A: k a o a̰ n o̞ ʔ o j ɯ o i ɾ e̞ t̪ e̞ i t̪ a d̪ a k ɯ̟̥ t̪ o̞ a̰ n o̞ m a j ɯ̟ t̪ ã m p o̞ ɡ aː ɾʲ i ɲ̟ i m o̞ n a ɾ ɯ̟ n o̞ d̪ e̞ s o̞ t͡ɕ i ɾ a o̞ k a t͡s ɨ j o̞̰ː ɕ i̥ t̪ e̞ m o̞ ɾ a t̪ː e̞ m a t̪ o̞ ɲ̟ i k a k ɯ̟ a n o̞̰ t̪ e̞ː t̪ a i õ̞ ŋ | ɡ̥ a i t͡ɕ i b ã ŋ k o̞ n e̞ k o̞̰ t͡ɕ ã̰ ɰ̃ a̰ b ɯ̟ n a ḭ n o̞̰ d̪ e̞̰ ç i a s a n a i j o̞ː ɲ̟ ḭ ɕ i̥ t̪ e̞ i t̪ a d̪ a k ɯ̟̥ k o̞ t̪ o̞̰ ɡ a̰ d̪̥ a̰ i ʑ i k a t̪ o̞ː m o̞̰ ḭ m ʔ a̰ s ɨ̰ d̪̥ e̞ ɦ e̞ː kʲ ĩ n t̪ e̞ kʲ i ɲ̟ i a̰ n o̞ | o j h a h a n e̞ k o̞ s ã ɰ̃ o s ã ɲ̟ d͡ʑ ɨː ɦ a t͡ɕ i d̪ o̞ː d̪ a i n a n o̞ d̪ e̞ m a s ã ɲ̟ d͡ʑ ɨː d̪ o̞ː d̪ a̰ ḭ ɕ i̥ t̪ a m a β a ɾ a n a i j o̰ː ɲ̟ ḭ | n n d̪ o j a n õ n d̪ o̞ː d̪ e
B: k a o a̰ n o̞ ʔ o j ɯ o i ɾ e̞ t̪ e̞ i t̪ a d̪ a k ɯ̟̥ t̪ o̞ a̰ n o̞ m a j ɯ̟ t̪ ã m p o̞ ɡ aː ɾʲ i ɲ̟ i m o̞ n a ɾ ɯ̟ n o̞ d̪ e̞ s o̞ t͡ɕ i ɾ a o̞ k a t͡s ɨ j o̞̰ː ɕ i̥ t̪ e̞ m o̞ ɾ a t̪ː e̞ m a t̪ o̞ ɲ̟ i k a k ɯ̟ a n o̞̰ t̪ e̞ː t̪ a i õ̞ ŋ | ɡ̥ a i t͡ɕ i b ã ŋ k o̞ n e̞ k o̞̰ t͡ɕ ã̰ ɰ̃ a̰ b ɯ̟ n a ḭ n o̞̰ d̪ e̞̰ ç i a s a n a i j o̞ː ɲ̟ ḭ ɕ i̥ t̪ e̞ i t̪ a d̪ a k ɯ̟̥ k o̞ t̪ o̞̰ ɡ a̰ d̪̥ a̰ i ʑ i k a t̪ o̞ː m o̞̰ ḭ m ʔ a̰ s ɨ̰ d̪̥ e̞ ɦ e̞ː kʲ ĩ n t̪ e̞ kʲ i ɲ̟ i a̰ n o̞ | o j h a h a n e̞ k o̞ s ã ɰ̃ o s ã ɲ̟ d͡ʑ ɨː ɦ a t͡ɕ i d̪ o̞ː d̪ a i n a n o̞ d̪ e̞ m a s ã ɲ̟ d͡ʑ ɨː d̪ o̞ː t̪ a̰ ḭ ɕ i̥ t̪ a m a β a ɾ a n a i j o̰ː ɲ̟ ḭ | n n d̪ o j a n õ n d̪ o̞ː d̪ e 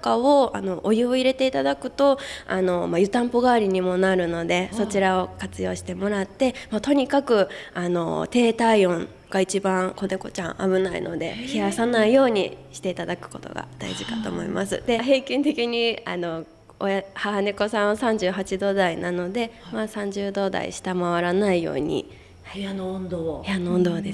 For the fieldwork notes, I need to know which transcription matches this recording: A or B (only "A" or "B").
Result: A